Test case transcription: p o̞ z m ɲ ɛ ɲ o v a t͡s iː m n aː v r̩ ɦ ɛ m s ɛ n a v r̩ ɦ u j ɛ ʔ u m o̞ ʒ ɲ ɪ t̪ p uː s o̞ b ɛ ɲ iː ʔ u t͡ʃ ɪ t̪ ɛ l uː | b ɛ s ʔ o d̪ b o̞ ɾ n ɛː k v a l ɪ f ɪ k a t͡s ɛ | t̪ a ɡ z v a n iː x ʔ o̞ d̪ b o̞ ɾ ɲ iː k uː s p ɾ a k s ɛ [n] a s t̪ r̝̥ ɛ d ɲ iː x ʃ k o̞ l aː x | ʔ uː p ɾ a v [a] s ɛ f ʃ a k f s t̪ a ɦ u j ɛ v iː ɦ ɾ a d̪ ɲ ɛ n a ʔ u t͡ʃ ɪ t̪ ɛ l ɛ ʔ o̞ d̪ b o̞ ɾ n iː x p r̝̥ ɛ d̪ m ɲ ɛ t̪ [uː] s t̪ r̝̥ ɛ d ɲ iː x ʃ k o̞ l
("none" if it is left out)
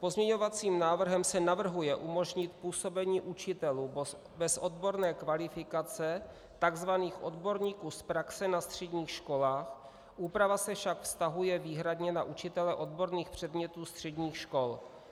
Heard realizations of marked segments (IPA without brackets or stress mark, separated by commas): n, a, uː